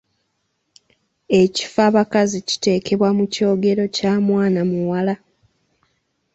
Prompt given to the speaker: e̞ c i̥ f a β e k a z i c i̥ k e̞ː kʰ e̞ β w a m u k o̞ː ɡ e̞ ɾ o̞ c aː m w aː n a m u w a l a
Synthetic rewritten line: e̞ c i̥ f a β a k a z i c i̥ t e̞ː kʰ e̞ β w a m u c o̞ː ɡ e̞ ɾ o̞ c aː m w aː n a m u w a l a